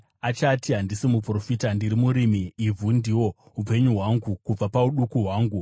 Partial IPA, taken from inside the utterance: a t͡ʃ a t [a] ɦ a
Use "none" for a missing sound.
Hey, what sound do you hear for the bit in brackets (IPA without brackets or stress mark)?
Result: i